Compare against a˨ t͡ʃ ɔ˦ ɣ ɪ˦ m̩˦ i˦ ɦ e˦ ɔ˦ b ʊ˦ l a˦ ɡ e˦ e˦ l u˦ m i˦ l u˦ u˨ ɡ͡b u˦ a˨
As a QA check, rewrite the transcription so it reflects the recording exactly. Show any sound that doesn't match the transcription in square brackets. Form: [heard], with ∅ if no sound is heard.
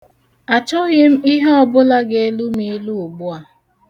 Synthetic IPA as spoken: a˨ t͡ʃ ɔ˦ ɣ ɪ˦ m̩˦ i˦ ɦ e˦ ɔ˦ b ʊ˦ l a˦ ɡ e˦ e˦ l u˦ m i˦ l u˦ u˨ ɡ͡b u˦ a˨